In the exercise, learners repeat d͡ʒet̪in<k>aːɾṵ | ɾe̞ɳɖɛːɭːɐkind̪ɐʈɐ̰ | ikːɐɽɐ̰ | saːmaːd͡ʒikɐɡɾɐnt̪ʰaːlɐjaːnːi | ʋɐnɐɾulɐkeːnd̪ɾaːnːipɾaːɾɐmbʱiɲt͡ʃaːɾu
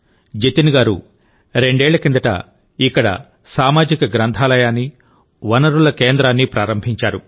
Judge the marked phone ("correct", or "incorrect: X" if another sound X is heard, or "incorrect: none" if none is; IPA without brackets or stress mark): incorrect: ɡ